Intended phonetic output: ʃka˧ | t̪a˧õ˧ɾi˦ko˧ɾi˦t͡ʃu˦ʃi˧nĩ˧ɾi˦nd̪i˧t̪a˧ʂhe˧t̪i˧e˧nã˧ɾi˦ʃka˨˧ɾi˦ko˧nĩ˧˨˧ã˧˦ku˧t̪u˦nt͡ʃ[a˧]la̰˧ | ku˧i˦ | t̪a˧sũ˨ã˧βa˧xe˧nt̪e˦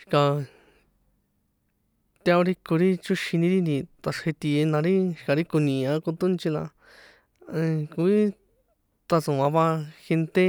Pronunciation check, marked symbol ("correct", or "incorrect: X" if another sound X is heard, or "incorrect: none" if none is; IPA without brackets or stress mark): incorrect: i˧